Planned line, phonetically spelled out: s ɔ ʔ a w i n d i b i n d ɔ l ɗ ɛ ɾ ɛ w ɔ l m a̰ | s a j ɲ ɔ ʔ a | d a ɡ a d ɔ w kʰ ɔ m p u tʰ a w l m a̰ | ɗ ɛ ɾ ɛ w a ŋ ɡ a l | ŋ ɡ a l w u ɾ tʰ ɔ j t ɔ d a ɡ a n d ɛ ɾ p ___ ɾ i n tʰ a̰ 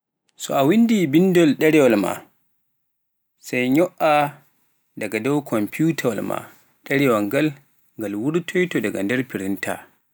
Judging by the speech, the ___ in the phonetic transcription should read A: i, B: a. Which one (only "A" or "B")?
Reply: A